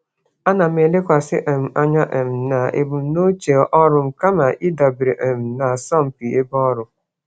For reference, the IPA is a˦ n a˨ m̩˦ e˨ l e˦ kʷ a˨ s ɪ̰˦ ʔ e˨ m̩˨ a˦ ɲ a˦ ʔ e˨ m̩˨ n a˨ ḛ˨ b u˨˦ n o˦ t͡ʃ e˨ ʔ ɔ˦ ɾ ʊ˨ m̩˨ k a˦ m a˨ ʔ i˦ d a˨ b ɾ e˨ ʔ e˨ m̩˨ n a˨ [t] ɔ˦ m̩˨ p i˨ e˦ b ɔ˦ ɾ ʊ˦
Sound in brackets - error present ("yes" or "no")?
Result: yes